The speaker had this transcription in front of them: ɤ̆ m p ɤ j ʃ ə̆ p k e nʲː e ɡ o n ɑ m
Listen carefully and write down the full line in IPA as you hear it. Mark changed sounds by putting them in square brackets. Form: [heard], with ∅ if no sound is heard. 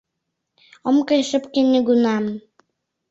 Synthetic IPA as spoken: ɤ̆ m [k] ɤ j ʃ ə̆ p k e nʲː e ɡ [u] n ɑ m